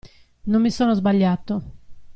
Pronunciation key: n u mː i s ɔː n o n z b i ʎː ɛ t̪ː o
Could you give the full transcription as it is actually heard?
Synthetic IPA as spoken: n o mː i s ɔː n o z b a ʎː a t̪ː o

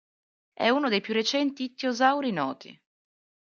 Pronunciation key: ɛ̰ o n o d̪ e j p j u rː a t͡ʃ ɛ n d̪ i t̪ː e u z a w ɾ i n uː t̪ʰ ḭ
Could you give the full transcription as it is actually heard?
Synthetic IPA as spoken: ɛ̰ u n o d̪ e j p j u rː e t͡ʃ ɛ n t̪ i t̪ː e o z a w ɾ i n ɔː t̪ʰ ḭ

